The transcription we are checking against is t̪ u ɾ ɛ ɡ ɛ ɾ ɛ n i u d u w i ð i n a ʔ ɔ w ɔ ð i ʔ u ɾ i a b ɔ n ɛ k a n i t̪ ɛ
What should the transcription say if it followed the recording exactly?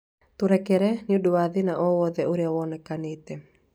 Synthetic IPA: t̪ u ɾ ɛ k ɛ ɾ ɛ n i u d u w a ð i n a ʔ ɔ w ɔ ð ɛ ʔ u ɾ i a w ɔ n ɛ k a n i t̪ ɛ